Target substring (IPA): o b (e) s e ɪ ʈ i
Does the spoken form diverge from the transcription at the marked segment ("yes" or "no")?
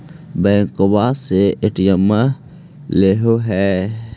yes